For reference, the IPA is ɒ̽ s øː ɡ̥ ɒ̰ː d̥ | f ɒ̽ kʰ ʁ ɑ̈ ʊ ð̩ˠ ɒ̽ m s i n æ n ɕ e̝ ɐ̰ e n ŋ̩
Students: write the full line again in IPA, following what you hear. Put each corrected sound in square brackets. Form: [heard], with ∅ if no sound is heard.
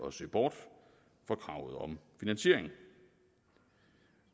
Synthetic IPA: ɒ̽ s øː [b̥] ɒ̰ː d̥ | f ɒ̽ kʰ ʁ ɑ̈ ʊ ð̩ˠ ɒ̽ m [f] i n æ n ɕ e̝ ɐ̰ e [ŋ] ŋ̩